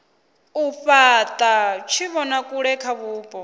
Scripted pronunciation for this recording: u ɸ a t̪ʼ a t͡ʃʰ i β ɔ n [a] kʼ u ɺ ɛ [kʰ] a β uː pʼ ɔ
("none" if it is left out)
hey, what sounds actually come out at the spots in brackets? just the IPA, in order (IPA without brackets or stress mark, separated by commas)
a, kʰ